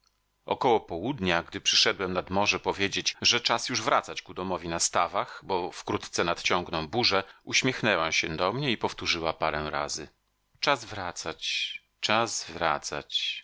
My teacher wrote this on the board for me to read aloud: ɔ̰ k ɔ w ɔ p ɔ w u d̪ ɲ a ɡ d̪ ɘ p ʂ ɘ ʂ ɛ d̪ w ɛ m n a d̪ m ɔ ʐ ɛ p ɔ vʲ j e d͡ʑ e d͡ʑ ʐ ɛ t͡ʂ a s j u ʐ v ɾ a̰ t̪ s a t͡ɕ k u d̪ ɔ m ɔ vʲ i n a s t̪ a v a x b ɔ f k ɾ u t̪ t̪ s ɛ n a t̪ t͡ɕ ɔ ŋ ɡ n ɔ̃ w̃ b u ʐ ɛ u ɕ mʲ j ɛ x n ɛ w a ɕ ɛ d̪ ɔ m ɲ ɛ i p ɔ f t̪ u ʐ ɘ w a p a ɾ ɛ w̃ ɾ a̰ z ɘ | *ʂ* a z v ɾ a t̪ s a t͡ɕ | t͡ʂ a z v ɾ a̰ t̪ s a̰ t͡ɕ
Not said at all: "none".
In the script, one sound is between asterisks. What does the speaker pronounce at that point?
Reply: t͡ʂ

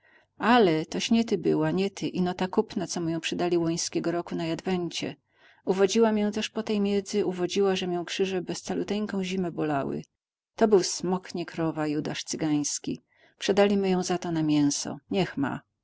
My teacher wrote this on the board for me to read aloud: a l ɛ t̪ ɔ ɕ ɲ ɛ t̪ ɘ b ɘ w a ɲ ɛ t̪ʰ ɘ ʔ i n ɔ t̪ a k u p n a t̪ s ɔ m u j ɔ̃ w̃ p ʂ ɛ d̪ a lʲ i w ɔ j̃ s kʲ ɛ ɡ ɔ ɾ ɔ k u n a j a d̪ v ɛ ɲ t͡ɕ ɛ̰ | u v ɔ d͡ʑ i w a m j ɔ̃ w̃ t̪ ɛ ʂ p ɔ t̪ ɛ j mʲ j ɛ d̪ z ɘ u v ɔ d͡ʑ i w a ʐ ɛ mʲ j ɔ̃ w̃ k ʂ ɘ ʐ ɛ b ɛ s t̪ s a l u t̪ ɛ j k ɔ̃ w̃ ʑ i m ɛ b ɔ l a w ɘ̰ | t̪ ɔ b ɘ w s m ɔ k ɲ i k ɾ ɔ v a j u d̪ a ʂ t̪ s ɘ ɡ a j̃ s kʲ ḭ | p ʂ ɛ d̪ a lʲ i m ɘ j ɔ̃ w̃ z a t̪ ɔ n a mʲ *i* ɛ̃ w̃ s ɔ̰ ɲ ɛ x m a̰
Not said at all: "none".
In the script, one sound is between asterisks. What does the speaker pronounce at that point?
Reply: j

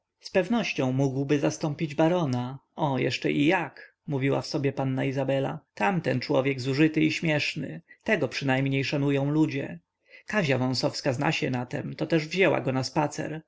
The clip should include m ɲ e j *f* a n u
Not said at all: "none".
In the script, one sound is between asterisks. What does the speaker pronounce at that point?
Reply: ʂ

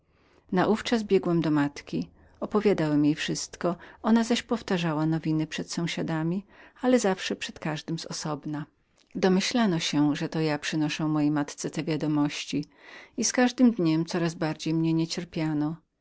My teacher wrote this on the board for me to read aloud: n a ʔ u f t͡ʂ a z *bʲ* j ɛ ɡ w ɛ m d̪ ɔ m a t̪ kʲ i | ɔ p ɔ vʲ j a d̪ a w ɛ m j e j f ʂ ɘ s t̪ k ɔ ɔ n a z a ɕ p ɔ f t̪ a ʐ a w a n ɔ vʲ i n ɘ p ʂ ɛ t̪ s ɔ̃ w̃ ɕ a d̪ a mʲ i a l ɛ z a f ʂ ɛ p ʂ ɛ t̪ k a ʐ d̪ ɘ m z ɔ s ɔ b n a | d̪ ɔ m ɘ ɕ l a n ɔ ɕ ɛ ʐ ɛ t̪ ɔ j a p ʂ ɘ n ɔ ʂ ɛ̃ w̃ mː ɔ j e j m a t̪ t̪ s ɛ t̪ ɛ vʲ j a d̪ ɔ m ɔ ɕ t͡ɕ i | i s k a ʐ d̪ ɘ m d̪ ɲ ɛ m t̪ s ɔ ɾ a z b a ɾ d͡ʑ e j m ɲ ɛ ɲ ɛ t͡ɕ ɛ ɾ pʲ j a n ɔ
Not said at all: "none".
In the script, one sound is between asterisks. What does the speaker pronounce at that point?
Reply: bʲ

